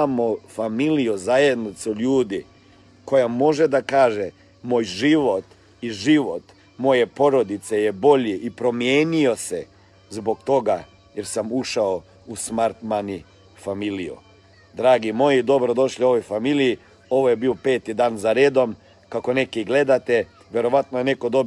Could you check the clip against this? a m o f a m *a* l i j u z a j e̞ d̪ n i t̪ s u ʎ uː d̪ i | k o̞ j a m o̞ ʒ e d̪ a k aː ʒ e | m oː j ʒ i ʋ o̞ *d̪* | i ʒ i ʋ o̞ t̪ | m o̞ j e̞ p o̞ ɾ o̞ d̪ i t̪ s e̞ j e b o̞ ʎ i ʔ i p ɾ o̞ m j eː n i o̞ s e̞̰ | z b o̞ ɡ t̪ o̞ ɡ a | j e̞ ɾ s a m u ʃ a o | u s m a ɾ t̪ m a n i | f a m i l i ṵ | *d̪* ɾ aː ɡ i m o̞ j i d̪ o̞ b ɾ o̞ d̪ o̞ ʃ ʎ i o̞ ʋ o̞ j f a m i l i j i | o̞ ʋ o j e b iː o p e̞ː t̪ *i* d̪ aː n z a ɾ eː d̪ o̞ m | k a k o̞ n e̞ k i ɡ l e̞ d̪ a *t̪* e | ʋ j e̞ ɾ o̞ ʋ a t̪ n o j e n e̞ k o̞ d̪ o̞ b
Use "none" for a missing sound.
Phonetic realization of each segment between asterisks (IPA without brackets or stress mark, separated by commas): i, t̪, d̪, i, t̪